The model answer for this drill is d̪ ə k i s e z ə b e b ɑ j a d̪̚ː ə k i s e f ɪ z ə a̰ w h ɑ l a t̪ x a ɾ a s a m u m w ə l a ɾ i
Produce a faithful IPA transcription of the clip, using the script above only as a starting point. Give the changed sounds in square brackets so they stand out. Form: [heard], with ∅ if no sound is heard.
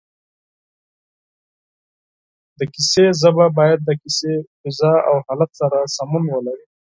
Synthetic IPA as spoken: d̪ ə k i s e z ə b [a] b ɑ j a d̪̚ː ə k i s e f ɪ z [ɑ] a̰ w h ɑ l a t̪ [s] a ɾ a s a m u [n] w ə l a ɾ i